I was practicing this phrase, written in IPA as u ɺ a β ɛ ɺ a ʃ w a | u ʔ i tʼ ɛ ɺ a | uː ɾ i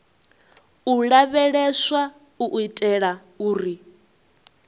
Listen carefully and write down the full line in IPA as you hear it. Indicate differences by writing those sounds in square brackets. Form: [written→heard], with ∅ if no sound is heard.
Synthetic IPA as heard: u ɺ a β ɛ ɺ [a→ɛ] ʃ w a | u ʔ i tʼ ɛ ɺ a | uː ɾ i